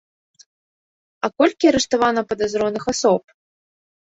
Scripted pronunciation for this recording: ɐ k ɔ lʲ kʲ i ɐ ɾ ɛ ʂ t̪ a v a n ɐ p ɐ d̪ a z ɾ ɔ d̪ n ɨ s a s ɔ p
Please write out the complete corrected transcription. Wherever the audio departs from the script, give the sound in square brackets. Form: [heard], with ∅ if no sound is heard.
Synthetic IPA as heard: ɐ k ɔ lʲ kʲ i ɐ ɾ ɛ ʂ t̪ a v a n ɐ p ɐ d̪ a z ɾ ɔ [∅] n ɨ [x] a s ɔ p